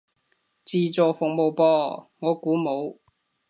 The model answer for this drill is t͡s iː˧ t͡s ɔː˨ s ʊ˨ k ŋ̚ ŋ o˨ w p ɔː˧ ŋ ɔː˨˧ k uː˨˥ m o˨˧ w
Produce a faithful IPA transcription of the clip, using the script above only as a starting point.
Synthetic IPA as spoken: t͡s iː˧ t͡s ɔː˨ f ʊ˨ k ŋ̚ m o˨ w p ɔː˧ ŋ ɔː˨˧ k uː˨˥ m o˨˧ w

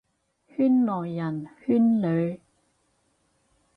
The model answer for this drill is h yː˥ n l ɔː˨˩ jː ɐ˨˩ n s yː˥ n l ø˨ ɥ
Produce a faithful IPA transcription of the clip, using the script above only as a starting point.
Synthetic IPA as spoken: h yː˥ n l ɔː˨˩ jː ɐ˨˩ n h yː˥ n l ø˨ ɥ

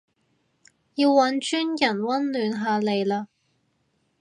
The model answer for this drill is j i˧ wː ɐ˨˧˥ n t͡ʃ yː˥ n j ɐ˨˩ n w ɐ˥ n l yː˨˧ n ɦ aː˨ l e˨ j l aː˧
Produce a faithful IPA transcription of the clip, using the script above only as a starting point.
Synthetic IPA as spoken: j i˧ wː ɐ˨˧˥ n t͡ʃ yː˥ n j ɐ˨˩ n w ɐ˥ n l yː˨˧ n ɦ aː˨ l e˨ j l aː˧

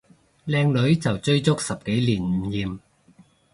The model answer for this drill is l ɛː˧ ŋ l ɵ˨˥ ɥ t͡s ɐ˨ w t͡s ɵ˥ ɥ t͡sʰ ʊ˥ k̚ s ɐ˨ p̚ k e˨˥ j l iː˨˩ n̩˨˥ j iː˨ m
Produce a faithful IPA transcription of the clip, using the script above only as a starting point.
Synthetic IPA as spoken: l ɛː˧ ŋ l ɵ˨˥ ɥ t͡s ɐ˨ w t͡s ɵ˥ ɥ t͡s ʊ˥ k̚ s ɐ˨ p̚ k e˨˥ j l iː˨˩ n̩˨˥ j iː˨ m

